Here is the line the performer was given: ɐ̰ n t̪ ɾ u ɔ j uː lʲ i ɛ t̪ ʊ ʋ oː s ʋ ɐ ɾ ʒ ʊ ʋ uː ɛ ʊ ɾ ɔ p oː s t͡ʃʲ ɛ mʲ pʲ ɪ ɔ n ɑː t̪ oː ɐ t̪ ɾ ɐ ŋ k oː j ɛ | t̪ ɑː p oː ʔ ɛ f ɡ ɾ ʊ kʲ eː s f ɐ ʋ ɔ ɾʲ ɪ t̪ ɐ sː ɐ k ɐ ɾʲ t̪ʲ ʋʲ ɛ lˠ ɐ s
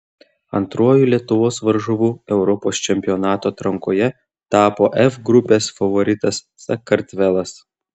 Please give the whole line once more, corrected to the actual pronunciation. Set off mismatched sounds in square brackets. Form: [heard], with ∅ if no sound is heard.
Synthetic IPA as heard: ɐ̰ n t̪ ɾ u ɔ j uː lʲ i ɛ t̪ ʊ ʋ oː s ʋ ɐ ɾ ʒ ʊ ʋ uː ɛ ʊ ɾ ɔ p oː s t͡ʃʲ ɛ mʲ pʲ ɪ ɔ n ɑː t̪ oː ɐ t̪ ɾ ɐ ŋ k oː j ɛ | t̪ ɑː p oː ʔ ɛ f ɡ ɾ ʊ [pʲ] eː s f ɐ ʋ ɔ ɾʲ ɪ t̪ ɐ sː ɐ k ɐ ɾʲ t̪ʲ ʋʲ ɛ lˠ ɐ s